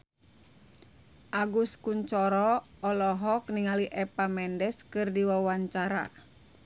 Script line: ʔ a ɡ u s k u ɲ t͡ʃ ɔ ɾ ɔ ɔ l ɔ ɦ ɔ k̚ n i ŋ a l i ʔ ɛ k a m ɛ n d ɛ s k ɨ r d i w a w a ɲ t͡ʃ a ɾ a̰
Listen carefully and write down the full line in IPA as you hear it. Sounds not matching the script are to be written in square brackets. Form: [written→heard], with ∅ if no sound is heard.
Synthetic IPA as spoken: ʔ a ɡ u s k u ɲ t͡ʃ ɔ ɾ ɔ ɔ l ɔ ɦ ɔ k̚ n i ŋ a l i ʔ ɛ [k→p] a m ɛ n d ɛ s k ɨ r d i w a w a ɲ t͡ʃ a ɾ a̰